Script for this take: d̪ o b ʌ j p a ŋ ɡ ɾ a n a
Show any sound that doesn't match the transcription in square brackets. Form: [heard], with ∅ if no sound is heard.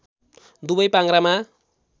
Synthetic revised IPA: d̪ [u] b ʌ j p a ŋ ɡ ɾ a [m] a